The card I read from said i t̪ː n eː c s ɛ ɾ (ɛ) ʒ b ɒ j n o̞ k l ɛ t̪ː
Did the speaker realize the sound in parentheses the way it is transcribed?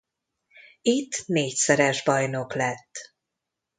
yes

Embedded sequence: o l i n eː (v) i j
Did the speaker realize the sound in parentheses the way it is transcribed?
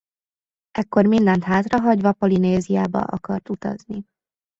no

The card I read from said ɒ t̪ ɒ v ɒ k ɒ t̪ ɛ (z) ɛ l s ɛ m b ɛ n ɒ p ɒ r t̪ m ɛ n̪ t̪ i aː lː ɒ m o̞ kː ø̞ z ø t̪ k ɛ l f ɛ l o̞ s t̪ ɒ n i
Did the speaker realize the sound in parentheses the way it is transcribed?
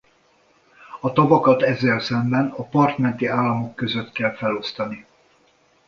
no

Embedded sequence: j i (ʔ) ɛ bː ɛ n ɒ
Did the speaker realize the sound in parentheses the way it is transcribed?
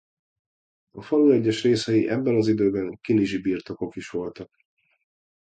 yes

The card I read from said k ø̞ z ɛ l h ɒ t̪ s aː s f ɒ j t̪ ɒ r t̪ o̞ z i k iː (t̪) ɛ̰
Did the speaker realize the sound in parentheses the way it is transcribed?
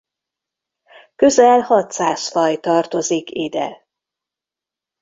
no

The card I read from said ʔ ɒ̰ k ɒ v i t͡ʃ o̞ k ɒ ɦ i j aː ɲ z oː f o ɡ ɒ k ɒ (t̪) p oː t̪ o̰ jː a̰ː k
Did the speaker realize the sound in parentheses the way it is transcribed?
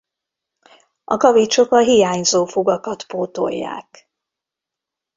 yes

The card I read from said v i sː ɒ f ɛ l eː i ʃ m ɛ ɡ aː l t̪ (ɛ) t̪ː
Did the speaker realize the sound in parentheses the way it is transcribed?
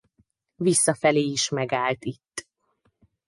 no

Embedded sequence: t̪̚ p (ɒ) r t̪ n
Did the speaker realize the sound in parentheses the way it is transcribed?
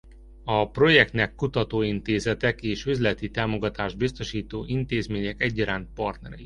yes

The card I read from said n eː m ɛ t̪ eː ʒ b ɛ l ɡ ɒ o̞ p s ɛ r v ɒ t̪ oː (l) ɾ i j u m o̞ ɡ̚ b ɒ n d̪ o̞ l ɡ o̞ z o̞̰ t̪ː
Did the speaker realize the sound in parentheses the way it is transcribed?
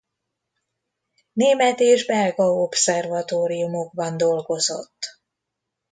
no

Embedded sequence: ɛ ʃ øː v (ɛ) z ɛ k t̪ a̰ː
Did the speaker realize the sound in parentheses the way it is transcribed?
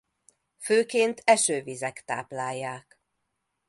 no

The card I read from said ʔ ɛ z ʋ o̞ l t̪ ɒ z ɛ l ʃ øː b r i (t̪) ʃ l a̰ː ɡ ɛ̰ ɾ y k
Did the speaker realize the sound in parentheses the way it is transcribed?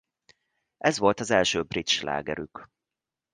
yes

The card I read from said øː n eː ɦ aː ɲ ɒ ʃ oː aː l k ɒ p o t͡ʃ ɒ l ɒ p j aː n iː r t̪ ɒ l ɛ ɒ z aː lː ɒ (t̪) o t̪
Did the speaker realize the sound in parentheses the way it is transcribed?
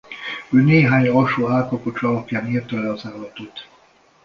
yes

